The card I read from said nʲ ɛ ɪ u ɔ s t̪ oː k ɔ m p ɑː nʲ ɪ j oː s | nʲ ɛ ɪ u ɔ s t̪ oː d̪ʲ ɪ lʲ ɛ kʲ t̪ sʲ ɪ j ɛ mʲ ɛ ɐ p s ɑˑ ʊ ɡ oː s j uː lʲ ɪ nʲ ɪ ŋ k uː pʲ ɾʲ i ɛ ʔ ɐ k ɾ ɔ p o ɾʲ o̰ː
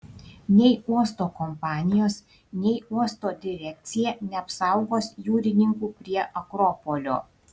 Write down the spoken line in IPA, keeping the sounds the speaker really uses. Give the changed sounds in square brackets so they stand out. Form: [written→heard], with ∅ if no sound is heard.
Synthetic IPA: nʲ ɛ ɪ u ɔ s t̪ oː k ɔ m p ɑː nʲ ɪ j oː s | nʲ ɛ ɪ u ɔ s t̪ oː d̪ʲ ɪ [lʲ→ɾʲ] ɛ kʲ t̪ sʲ ɪ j ɛ [mʲ→nʲ] ɛ ɐ p s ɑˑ ʊ ɡ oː s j uː [lʲ→ɾʲ] ɪ nʲ ɪ ŋ k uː pʲ ɾʲ i ɛ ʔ ɐ k ɾ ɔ p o [ɾʲ→lʲ] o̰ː